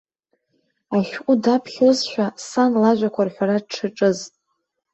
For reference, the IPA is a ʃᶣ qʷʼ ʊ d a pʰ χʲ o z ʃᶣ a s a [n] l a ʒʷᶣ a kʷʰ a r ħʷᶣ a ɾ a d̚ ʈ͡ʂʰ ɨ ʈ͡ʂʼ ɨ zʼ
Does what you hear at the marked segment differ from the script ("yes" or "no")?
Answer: no